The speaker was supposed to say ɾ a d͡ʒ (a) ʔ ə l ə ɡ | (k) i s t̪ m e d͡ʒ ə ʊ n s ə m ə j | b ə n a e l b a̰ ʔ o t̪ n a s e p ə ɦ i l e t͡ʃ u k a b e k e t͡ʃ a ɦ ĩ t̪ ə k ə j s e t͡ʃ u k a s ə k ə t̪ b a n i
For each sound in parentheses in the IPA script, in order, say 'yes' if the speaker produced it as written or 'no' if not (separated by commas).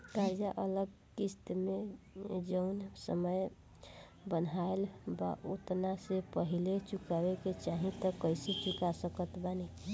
yes, yes